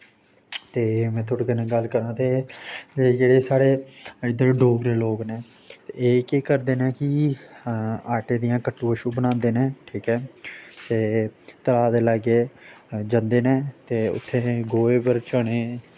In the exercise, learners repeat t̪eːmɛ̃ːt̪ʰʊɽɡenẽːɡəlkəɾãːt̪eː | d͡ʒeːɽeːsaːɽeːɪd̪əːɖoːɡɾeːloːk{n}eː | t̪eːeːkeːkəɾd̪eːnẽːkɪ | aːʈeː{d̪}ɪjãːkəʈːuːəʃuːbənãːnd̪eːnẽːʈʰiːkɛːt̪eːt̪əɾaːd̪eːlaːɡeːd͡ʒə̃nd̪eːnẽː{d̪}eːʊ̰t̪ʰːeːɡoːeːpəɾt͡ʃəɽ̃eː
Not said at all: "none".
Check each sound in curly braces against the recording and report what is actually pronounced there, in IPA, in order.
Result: n, d̪, t̪

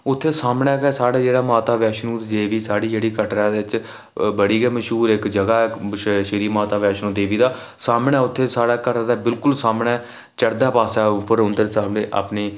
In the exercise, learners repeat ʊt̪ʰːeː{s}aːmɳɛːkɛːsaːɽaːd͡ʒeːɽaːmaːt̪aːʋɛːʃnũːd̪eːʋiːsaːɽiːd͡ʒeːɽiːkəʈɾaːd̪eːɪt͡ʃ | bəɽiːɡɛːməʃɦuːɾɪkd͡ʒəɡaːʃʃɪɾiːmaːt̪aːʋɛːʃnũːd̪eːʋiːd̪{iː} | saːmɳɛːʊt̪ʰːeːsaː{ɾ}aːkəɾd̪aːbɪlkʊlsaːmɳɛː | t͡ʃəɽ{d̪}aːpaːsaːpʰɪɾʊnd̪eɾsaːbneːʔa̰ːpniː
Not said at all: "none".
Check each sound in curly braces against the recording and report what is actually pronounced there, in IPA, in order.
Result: s, aː, ɽ, d̪

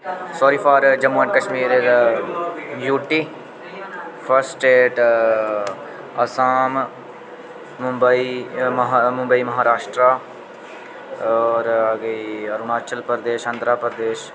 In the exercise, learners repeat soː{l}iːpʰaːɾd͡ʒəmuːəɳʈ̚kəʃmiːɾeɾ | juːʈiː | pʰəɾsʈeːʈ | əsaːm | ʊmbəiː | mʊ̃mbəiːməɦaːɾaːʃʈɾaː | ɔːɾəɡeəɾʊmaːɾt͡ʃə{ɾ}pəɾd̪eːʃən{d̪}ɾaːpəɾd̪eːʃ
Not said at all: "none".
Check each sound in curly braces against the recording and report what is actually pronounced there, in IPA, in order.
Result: ɾ, l, d̪

